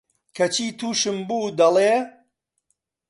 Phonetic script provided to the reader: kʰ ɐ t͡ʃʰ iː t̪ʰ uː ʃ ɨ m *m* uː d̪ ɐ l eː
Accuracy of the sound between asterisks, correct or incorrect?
incorrect